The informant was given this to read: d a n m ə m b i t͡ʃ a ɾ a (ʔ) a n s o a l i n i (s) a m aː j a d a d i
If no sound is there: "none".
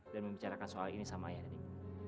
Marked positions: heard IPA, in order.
k, s

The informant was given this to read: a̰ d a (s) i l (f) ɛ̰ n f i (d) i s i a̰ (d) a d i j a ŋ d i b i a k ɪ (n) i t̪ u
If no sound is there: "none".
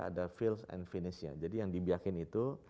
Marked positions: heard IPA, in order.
f, s, n, d͡ʒ, n

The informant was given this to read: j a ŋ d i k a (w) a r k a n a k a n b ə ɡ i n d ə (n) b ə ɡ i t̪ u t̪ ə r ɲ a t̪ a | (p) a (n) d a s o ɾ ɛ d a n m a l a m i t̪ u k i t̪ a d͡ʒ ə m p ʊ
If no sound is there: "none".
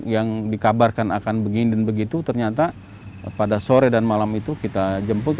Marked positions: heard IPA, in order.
b, n, p, none

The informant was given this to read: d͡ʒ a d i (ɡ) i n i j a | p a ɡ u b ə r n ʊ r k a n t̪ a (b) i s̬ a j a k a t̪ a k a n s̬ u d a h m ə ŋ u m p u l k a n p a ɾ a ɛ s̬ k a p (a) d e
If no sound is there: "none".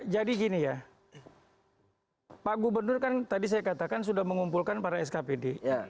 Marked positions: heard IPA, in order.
ɡ, d, e

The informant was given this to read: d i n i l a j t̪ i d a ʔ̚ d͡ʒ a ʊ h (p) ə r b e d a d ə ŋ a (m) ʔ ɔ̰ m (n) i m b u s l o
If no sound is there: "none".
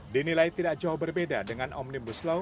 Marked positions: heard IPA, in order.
b, n, n

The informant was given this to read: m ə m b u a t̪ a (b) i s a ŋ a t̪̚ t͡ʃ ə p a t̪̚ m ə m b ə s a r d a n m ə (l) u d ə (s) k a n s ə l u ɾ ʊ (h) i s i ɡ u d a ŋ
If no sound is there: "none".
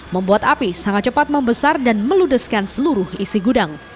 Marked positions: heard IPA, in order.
p, l, s, h

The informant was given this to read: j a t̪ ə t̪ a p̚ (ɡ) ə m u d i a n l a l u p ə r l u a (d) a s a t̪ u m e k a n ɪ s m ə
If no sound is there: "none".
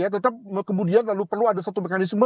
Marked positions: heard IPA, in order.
k, d

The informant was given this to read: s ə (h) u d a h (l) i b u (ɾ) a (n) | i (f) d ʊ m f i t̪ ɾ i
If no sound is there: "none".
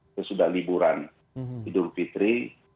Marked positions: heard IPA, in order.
s, l, ɾ, n, none

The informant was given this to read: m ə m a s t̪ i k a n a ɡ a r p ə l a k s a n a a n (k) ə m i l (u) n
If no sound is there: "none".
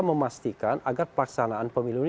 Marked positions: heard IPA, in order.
p, u

